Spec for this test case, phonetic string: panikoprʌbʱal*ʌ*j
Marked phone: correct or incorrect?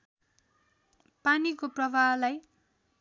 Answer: incorrect: a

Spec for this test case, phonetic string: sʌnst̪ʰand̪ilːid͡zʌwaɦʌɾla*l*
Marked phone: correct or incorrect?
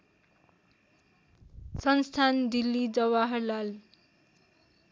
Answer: correct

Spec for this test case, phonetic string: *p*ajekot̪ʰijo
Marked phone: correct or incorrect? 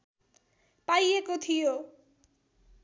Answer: correct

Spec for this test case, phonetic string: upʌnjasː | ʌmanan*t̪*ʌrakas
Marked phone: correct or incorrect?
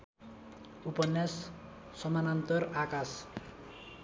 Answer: correct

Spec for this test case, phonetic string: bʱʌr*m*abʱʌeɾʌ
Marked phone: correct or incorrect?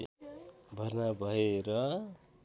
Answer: incorrect: n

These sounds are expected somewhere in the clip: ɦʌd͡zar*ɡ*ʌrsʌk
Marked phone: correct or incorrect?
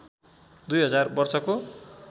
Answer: incorrect: b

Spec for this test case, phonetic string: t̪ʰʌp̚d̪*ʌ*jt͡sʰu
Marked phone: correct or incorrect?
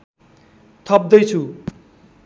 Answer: correct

